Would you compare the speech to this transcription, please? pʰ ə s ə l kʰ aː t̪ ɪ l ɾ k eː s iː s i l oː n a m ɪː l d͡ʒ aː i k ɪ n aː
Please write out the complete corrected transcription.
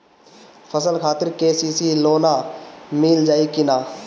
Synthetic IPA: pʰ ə s ə l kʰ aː t̪ ɪ ɾ k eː s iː s i l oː n a m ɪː l d͡ʒ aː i k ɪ n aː